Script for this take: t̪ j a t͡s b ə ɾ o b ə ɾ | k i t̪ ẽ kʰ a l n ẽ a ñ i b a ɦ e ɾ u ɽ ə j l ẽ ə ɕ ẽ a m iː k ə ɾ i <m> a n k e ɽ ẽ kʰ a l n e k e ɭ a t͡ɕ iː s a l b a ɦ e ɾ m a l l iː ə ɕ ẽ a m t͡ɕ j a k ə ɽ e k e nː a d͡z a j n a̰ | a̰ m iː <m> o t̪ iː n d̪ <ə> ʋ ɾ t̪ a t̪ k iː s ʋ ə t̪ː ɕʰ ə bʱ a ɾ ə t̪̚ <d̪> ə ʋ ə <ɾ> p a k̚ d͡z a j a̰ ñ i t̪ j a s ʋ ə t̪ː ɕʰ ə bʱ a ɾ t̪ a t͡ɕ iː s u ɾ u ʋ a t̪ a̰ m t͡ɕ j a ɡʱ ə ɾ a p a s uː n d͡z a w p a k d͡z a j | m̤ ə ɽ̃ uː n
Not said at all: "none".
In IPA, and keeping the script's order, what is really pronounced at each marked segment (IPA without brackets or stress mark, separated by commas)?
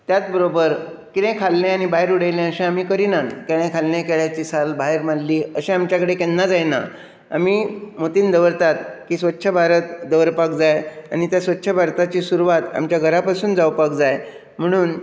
n, m, ə, d̪, ɾ